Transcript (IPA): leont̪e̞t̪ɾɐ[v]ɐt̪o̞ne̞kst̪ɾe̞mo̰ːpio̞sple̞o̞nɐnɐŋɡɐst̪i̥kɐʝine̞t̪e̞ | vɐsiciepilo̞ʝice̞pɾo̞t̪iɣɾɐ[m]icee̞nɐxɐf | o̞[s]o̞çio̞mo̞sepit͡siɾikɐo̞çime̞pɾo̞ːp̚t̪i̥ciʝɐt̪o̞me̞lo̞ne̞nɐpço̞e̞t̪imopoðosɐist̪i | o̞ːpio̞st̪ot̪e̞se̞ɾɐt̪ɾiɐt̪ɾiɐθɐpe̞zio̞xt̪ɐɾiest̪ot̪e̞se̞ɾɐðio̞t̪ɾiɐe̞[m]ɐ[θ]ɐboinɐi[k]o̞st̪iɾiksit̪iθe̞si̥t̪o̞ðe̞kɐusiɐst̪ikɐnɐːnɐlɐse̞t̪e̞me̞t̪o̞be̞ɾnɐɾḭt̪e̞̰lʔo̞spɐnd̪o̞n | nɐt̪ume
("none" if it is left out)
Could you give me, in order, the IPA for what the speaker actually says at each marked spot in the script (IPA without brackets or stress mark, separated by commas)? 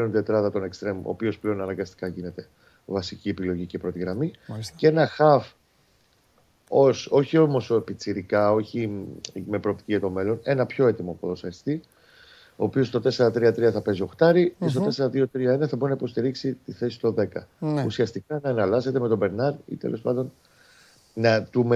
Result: ð, m, s, n, θ, p